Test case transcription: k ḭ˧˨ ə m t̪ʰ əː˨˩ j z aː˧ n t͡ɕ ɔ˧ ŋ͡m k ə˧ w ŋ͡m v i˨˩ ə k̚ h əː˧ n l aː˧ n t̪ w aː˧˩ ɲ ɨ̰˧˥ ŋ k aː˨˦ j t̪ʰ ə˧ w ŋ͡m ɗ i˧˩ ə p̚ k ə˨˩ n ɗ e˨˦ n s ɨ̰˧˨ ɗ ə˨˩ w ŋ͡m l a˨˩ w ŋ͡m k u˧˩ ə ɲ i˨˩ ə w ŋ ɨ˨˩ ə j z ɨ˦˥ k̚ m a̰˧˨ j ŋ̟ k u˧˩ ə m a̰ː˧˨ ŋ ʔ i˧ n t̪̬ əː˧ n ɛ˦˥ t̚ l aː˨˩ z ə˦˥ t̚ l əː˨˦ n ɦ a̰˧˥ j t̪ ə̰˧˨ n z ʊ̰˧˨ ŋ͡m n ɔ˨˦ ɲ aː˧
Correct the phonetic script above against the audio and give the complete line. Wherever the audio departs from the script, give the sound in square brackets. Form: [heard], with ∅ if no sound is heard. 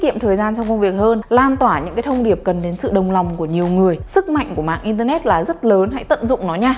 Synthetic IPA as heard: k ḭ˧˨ ə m t̪ʰ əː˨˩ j z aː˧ n t͡ɕ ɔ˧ ŋ͡m k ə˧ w ŋ͡m v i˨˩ ə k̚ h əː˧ n l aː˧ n t̪ w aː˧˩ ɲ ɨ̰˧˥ ŋ k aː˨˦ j t̪ʰ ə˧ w ŋ͡m ɗ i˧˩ ə p̚ k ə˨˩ n ɗ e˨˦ n s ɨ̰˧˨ ɗ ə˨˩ w ŋ͡m l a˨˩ w ŋ͡m k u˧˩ ə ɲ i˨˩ ə w ŋ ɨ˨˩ ə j [s] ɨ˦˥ k̚ m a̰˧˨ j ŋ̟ k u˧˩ ə m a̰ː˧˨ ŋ ʔ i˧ n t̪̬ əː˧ n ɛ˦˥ t̚ l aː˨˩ z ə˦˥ t̚ l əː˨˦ n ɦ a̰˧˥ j t̪ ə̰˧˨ n z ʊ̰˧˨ ŋ͡m n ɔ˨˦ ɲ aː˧

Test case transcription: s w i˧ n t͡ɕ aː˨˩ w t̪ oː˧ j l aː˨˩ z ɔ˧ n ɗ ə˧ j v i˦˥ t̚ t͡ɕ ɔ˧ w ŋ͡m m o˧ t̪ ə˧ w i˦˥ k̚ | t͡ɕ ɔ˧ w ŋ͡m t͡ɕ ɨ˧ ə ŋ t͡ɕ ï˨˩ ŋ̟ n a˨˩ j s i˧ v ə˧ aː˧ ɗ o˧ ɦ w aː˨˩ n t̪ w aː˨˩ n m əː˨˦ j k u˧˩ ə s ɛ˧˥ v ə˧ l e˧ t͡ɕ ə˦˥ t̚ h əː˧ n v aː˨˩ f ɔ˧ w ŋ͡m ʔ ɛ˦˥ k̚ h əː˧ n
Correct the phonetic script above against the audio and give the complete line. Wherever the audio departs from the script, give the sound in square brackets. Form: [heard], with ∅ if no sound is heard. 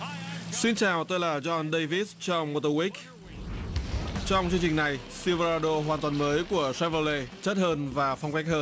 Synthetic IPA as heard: s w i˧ n t͡ɕ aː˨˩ w t̪ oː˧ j l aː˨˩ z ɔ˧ n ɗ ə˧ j v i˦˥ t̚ t͡ɕ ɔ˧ w ŋ͡m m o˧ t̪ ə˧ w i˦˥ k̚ | t͡ɕ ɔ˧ w ŋ͡m t͡ɕ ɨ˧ ə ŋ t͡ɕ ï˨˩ ŋ̟ n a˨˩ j s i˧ v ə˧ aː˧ ɗ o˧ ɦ w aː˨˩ n t̪ w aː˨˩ n m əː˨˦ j k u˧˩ ə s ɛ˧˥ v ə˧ l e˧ t͡ɕ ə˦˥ t̚ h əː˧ n v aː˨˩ f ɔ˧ w ŋ͡m [k] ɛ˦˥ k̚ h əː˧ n

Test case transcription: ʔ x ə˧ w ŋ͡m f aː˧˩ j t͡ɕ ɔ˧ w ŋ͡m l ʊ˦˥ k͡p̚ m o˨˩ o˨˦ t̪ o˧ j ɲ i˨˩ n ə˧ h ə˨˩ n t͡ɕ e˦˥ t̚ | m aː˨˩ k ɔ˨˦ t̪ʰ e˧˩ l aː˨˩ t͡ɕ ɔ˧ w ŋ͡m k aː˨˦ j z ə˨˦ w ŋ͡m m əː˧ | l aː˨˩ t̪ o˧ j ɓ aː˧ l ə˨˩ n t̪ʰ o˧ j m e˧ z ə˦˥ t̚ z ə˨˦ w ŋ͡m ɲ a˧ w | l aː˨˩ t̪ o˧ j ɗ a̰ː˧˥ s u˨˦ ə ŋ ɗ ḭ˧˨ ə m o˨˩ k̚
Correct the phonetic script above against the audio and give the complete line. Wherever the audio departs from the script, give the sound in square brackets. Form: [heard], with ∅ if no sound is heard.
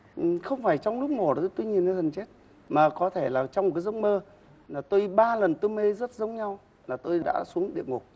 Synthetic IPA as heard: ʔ x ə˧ w ŋ͡m f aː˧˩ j t͡ɕ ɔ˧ w ŋ͡m l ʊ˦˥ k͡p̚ m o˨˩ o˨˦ t̪ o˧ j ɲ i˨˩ n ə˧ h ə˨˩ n t͡ɕ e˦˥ t̚ | m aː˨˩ k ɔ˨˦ t̪ʰ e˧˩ l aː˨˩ t͡ɕ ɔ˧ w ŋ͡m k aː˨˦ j z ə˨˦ w ŋ͡m m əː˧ | l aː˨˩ t̪ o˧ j ɓ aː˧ l ə˨˩ n [t̪] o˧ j m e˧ z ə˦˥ t̚ z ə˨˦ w ŋ͡m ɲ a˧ w | l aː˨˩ t̪ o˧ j ɗ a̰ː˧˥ s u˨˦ ə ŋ ɗ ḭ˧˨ ə [ŋ] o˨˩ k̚

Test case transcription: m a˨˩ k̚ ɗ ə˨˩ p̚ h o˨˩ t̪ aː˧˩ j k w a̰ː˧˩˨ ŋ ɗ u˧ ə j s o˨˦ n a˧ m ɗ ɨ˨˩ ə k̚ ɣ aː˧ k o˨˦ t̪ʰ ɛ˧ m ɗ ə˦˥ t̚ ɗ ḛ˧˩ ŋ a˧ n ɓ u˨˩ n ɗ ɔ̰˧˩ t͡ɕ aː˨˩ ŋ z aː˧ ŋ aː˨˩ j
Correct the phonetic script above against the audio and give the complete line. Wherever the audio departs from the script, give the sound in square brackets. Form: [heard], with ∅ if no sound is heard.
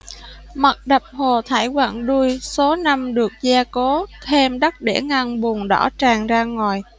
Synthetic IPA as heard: m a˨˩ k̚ ɗ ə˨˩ p̚ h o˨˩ [t̪ʰ] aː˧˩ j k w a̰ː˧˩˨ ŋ ɗ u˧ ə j s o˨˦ n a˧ m ɗ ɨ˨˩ ə k̚ [z] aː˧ k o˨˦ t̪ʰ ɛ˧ m ɗ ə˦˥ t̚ ɗ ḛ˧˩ ŋ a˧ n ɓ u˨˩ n ɗ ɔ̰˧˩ t͡ɕ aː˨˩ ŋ z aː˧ ŋ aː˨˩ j

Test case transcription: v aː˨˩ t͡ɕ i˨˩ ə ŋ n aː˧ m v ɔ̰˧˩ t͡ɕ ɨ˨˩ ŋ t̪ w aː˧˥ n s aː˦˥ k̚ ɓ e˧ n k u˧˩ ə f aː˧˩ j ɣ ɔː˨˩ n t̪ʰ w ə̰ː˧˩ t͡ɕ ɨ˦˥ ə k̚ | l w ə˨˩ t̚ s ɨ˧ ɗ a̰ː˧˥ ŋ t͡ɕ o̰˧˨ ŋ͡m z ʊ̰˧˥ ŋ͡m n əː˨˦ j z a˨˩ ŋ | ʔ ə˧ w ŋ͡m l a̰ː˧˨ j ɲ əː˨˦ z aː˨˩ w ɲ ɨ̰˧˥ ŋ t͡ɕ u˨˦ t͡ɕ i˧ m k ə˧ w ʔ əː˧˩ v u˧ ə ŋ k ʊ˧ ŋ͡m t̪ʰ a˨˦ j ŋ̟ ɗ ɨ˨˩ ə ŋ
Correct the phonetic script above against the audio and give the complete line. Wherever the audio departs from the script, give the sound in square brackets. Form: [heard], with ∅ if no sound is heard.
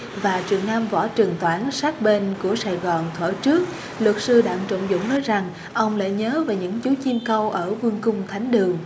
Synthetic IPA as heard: v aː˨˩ t͡ɕ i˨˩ ə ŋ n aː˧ m v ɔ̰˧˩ t͡ɕ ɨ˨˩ ŋ t̪ w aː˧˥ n s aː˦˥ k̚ ɓ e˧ n k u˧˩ ə [s] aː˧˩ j ɣ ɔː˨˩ n t̪ʰ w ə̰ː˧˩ t͡ɕ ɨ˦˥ ə k̚ | l w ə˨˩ t̚ s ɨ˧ ɗ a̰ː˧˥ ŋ t͡ɕ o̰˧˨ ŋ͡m z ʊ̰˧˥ ŋ͡m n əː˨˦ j z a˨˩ ŋ | ʔ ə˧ w ŋ͡m l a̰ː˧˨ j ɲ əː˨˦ [v] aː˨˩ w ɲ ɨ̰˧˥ ŋ t͡ɕ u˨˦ t͡ɕ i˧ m k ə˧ w ʔ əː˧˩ v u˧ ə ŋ k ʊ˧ ŋ͡m t̪ʰ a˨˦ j ŋ̟ ɗ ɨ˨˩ ə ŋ

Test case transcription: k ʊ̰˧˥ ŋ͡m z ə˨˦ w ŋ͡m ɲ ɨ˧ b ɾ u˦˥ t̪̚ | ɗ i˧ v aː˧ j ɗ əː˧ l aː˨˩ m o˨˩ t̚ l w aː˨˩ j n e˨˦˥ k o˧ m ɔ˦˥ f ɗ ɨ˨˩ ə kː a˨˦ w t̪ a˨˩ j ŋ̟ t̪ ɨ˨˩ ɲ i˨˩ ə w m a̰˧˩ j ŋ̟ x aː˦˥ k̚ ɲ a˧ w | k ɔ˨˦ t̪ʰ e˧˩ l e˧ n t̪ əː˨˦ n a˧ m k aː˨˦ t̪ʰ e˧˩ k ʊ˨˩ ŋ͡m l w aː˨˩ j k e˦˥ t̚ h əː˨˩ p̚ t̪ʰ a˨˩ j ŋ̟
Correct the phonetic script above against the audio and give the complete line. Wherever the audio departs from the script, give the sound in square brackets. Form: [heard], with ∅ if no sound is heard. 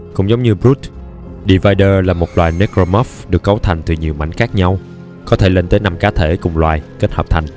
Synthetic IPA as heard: k ʊ̰˧˥ ŋ͡m z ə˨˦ w ŋ͡m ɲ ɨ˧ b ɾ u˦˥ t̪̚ | ɗ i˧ v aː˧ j ɗ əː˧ l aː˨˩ m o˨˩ t̚ l w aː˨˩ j n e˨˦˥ k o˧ m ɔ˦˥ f ɗ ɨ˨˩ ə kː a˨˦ w [t̪ʰ] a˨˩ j ŋ̟ t̪ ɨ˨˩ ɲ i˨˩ ə w m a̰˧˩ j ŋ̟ x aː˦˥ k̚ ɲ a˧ w | k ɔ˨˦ t̪ʰ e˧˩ l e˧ n t̪ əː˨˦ n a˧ m k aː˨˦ t̪ʰ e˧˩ k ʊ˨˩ ŋ͡m l w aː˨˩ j k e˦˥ t̚ h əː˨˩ p̚ t̪ʰ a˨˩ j ŋ̟

